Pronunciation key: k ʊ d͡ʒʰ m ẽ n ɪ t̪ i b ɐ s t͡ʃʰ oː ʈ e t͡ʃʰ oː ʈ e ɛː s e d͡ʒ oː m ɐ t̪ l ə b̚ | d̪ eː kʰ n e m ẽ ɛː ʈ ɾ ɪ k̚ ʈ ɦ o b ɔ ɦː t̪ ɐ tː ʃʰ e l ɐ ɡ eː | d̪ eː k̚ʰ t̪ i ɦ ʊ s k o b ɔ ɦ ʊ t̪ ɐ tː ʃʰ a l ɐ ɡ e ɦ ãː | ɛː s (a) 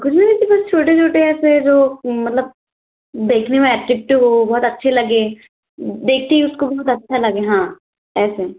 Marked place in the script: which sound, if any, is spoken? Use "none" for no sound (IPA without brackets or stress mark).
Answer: e